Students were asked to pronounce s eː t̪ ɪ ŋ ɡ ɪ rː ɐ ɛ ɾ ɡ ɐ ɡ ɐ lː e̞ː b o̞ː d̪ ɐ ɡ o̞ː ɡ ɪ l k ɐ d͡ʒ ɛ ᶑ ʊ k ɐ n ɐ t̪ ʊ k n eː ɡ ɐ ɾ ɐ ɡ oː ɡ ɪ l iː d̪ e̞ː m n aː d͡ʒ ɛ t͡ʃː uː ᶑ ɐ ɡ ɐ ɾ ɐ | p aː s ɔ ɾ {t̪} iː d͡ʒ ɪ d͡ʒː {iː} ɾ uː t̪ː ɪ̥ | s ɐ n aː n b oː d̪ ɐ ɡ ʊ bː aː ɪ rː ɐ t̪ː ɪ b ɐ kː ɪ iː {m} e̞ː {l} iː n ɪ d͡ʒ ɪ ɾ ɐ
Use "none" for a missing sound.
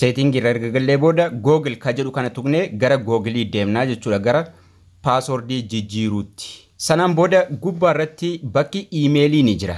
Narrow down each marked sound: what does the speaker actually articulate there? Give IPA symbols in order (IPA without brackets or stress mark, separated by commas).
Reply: d̪, iː, m, l